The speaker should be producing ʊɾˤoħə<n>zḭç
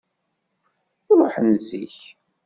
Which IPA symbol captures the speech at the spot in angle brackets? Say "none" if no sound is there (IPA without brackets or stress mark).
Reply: n